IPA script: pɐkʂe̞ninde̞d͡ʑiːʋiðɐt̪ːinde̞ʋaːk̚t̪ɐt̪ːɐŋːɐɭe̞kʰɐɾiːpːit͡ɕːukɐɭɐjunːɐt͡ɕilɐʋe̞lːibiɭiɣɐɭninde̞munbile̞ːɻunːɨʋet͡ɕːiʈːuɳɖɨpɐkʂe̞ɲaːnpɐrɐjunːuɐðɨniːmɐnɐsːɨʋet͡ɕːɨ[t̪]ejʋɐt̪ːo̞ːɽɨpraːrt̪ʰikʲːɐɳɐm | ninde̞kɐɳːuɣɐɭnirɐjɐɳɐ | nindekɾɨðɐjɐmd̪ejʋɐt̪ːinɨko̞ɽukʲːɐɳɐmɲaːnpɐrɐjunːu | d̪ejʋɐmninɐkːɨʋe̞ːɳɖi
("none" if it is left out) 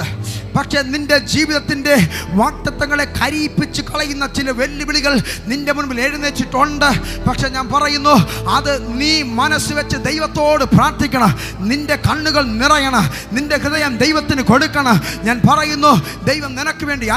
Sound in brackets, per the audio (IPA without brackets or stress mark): d̪